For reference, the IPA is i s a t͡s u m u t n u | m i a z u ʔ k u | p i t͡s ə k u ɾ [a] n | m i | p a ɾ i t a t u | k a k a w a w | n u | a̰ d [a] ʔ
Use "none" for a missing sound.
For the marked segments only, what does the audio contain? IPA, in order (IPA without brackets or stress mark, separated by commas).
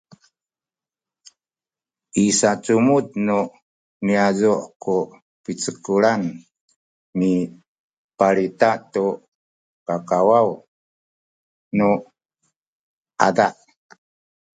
a, a